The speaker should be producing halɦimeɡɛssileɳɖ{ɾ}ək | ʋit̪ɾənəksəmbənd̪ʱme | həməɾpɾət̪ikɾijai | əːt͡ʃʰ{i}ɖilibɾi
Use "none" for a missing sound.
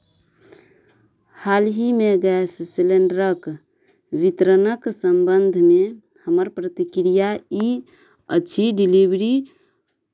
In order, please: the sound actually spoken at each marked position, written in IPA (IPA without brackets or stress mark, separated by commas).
ɾ, i